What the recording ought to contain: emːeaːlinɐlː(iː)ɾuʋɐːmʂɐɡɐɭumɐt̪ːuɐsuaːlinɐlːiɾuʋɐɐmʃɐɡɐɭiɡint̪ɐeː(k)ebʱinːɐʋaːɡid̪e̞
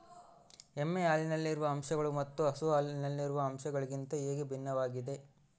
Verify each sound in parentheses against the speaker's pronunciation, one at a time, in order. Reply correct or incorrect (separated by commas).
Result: incorrect, incorrect